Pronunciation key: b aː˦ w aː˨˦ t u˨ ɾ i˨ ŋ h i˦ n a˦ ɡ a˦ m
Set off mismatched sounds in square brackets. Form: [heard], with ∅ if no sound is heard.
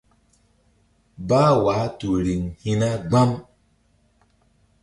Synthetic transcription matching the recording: b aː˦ w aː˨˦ t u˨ ɾ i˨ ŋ h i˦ n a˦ [ɡ͡b] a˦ m